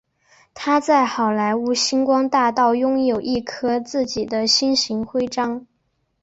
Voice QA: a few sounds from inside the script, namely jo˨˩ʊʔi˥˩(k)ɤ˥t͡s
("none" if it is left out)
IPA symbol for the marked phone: kʰ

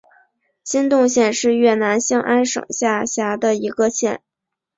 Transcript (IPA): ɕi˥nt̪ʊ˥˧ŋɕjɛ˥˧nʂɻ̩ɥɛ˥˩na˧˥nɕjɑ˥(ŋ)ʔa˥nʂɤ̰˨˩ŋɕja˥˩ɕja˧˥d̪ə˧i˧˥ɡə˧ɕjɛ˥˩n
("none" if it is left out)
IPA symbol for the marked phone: ŋ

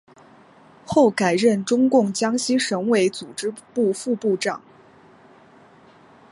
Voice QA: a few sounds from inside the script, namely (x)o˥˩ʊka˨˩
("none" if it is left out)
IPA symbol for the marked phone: x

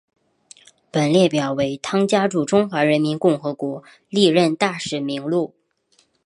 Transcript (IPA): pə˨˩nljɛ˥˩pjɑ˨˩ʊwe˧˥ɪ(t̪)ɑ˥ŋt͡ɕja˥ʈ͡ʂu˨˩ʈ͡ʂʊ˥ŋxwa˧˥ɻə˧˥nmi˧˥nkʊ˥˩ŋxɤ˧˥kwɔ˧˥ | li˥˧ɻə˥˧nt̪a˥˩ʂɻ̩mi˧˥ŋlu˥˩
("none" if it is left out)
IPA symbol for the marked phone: t̪ʰ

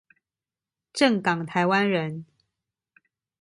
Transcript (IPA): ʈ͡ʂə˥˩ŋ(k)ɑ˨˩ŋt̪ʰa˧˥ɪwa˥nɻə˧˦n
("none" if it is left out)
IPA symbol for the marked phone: k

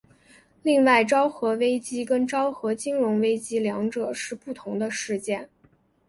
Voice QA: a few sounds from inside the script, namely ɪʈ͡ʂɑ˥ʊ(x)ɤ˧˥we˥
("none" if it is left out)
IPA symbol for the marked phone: x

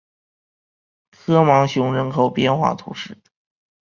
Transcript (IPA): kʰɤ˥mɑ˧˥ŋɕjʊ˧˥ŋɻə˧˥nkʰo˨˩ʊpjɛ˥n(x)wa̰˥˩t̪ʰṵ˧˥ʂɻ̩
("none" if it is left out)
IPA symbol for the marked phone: x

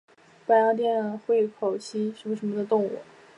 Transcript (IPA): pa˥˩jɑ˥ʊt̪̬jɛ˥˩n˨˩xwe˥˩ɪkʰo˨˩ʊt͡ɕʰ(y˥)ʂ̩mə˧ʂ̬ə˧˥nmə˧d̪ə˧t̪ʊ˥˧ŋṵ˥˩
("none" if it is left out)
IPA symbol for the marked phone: i˥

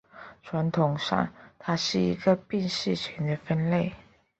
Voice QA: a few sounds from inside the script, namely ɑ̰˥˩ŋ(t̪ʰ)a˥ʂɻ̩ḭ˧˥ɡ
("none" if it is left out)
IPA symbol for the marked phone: t̪ʰ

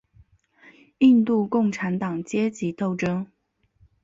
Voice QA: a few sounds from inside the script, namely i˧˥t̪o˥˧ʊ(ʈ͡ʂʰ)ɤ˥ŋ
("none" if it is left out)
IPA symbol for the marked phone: ʈ͡ʂ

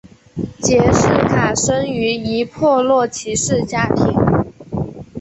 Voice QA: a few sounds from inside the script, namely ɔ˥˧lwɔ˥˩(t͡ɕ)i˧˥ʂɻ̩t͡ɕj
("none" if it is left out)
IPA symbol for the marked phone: t͡ɕʰ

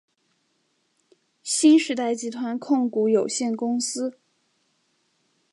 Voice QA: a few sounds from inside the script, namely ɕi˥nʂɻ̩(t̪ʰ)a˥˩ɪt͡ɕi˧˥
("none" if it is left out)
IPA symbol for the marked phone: t̪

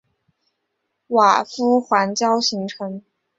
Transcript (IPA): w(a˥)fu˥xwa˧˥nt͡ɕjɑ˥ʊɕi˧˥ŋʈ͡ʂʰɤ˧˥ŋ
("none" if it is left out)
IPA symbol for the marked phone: a˨˩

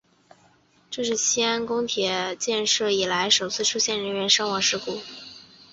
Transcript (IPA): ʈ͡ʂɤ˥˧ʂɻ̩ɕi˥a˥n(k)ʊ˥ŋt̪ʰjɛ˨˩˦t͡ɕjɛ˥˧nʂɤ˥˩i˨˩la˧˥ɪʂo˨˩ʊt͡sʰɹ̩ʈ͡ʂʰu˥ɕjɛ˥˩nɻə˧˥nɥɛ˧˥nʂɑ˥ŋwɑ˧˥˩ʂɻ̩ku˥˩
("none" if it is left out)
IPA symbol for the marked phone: k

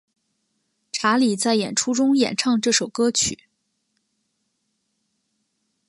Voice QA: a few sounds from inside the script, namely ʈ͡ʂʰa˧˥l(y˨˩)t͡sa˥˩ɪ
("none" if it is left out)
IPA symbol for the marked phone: i˨˩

